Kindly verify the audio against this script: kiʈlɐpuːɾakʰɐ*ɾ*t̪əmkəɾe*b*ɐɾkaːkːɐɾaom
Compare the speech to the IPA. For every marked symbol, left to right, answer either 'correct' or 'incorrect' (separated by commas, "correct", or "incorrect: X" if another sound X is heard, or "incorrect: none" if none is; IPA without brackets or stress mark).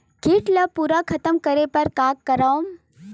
incorrect: none, incorrect: p